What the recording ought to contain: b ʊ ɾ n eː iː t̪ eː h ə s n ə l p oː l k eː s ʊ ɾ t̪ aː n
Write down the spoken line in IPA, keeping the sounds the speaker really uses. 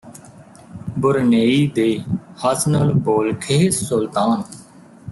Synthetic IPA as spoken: b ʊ ɾ n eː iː d̪ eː h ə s n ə l b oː l kʰ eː s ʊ l t̪ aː n